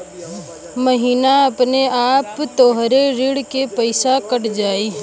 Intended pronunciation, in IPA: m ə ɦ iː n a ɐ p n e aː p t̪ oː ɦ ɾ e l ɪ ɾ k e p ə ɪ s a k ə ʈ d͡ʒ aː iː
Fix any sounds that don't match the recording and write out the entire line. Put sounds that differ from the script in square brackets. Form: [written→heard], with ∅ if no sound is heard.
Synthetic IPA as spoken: m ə ɦ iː n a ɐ p n e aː p t̪ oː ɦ ɾ e [l→ɾ] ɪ [ɾ→ɽ] k e p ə ɪ s a k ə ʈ d͡ʒ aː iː